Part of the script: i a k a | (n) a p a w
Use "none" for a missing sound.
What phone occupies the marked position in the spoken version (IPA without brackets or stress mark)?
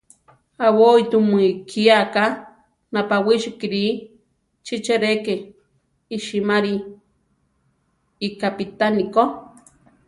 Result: n